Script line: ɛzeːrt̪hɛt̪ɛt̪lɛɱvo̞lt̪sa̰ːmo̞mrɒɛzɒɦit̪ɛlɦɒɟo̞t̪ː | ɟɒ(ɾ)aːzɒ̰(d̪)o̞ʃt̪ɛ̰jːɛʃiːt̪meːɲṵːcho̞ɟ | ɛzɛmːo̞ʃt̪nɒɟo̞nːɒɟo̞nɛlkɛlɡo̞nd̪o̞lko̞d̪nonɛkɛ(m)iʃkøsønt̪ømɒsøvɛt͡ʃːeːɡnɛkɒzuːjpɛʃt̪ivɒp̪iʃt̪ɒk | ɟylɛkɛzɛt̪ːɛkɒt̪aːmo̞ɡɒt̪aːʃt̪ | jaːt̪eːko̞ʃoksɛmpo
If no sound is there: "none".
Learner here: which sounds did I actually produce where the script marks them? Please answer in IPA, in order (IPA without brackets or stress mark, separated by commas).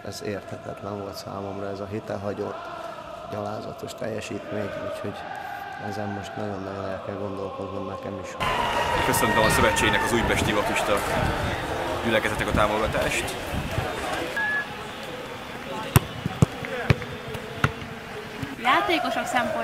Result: l, t̪, m